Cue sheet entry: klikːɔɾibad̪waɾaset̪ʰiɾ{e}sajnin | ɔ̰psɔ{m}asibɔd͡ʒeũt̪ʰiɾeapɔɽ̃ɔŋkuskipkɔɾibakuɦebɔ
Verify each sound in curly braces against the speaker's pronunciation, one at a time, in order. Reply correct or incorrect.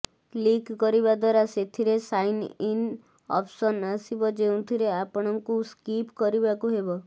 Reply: correct, incorrect: n

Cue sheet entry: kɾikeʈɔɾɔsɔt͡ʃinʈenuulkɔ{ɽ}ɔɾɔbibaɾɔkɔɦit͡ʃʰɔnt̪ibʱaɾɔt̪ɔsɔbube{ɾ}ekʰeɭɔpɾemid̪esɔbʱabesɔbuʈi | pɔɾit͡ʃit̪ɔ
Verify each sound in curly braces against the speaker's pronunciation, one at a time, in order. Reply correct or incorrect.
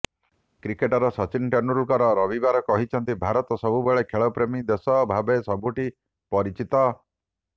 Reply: incorrect: ɾ, incorrect: ɭ

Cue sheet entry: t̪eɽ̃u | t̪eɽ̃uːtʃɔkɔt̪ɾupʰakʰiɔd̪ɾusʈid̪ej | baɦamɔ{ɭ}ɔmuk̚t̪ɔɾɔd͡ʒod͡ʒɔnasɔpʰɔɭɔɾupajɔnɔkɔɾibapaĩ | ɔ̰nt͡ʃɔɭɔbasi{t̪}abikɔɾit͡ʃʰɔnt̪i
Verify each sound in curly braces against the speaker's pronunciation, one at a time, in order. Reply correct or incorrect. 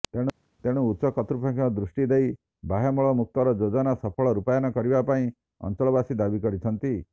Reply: correct, incorrect: d̪

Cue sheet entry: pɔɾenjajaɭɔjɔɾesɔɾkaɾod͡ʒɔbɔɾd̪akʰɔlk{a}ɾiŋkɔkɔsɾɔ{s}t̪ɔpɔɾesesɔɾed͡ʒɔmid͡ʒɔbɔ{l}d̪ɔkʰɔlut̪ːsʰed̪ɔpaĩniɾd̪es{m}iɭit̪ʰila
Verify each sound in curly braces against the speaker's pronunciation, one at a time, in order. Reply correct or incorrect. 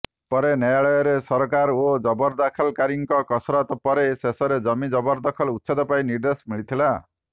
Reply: correct, incorrect: none, incorrect: ɾ, correct

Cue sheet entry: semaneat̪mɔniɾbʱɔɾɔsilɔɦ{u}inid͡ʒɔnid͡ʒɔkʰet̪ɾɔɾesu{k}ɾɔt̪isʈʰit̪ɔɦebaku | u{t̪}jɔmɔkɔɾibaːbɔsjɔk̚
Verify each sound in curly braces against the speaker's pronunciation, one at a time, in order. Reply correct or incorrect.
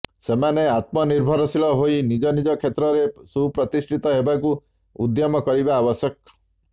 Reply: incorrect: o, incorrect: p, incorrect: d̪

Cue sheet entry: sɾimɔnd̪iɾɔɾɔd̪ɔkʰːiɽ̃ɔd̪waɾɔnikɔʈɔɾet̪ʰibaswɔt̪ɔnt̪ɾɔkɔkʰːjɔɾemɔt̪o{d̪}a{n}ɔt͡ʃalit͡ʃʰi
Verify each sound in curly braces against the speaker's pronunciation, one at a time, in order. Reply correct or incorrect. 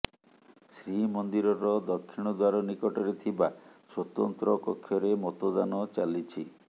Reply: correct, correct

